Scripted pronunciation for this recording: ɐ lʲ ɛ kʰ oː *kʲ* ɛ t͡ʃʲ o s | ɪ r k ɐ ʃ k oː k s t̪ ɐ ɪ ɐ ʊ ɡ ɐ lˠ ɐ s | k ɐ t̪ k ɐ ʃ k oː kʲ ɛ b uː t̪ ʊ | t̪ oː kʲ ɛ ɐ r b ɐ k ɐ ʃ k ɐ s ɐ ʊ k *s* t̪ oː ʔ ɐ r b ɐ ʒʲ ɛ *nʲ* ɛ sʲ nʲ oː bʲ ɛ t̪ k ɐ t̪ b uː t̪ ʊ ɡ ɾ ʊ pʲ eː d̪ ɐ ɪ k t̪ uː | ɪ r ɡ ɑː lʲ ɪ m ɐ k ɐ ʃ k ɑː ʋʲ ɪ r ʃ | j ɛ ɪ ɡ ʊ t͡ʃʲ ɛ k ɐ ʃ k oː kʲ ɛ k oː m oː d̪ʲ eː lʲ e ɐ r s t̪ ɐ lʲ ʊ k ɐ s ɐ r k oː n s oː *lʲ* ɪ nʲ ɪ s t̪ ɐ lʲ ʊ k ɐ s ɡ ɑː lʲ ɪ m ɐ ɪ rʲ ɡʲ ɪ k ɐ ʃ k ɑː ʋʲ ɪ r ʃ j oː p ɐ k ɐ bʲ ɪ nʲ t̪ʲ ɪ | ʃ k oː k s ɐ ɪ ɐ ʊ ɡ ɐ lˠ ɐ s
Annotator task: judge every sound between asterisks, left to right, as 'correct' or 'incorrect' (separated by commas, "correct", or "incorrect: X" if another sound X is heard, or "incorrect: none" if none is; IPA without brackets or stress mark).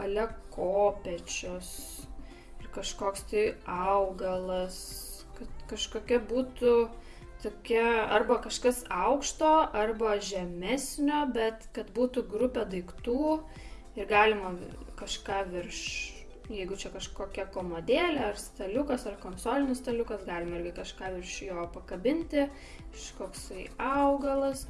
incorrect: pʲ, incorrect: ʃ, incorrect: mʲ, correct